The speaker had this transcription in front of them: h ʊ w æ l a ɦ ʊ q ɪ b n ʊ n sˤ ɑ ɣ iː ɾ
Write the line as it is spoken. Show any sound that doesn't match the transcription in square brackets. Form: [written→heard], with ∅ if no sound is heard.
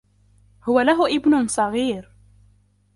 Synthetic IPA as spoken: h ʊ w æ l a ɦ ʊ [q→ʔ] ɪ b n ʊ n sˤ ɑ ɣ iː ɾ